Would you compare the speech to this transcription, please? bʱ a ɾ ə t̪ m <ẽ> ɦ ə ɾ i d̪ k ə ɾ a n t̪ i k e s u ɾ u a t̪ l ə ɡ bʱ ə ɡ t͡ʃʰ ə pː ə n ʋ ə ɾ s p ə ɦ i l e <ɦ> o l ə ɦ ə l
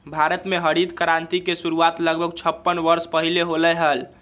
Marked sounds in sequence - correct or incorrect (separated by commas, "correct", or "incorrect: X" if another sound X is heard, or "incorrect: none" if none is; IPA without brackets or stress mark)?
incorrect: e, correct